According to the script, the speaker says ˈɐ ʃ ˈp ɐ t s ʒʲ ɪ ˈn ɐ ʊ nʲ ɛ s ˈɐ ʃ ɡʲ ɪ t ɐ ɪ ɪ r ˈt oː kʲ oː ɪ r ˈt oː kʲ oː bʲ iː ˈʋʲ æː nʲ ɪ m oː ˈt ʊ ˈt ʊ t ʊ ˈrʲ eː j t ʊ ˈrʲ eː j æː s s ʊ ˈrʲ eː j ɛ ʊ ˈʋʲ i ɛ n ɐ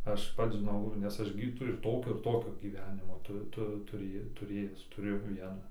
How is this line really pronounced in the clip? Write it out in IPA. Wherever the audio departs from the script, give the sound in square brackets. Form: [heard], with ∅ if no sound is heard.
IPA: ˈɐ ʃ ˈp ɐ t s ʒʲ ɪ ˈn ɐ ʊ nʲ ɛ s ˈɐ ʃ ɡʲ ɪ t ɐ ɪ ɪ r ˈt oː kʲ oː ɪ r ˈt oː kʲ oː [ɡʲ] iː ˈʋʲ æː nʲ ɪ m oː ˈt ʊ ˈt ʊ t ʊ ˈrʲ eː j t ʊ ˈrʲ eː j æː s [t] ʊ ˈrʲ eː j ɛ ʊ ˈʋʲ i ɛ n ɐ